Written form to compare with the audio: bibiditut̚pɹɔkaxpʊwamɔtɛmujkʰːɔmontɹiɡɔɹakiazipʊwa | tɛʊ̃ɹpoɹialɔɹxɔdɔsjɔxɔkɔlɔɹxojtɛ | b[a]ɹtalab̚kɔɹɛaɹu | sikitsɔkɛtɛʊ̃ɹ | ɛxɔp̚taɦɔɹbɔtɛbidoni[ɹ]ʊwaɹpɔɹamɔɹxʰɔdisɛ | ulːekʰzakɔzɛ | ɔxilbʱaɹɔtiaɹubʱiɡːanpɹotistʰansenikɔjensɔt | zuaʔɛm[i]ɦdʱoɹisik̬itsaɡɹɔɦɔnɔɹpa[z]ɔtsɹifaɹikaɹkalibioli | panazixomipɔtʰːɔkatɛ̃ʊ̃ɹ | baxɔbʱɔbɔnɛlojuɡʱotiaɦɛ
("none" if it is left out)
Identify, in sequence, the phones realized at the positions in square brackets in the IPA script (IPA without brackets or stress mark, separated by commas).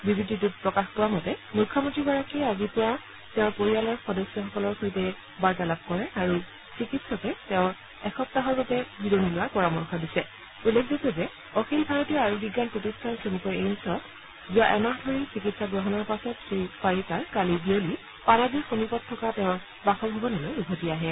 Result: a, l, a, s